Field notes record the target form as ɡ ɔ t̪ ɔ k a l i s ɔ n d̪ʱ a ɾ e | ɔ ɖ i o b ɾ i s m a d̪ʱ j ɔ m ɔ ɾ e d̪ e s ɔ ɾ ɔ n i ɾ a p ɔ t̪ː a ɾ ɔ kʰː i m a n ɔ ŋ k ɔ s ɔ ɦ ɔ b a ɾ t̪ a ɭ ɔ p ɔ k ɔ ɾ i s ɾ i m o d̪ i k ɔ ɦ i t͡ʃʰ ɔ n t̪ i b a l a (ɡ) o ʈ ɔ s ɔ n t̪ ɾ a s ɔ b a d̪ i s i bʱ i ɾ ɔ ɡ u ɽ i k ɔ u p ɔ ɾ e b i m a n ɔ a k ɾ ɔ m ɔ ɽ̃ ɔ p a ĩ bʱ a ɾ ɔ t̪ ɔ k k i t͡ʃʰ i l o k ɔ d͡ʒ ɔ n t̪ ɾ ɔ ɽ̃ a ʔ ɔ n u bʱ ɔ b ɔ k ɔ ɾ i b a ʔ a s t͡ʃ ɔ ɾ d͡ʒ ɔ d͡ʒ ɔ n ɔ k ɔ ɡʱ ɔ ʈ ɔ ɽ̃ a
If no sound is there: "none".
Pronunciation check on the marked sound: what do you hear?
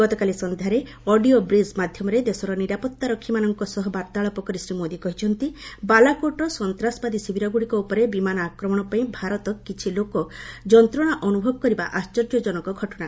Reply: k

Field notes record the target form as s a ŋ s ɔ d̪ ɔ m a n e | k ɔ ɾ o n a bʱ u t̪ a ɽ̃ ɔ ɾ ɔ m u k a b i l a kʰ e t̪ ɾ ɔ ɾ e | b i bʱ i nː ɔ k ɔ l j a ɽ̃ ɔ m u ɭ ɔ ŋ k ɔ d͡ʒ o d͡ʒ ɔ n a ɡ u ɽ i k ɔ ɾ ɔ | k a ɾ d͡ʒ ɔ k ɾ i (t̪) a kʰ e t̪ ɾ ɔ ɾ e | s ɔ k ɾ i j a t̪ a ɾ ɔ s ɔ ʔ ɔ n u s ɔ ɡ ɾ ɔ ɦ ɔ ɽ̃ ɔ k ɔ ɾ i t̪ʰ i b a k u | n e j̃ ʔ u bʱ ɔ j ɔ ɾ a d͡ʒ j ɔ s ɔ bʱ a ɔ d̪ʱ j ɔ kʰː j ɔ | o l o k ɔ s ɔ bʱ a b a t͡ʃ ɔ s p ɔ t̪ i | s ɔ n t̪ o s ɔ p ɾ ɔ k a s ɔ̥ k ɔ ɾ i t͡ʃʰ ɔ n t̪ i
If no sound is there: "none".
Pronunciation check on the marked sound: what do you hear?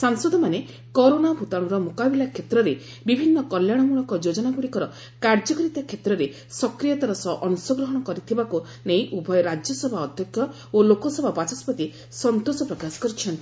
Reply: t̪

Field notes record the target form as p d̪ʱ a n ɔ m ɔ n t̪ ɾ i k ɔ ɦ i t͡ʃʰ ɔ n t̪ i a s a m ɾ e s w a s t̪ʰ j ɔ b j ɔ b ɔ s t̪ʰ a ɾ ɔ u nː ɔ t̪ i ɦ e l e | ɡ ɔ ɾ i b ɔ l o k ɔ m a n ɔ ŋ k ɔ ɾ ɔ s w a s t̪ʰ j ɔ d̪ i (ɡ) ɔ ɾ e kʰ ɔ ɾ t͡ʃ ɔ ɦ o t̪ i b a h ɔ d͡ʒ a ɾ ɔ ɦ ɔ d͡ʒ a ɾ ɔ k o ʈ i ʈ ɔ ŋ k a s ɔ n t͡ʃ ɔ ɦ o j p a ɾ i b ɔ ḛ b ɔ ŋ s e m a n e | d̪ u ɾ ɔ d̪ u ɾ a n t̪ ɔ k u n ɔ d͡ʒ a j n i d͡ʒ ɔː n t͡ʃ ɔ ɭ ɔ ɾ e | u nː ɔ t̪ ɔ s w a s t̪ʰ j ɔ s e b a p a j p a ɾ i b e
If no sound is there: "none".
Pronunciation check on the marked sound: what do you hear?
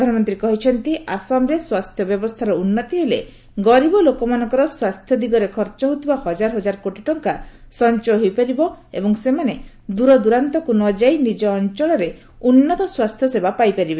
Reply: ɡ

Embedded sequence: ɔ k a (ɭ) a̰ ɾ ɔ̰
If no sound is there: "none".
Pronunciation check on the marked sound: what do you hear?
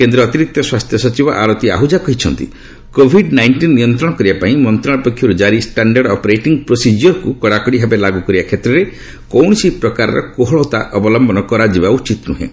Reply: ɾ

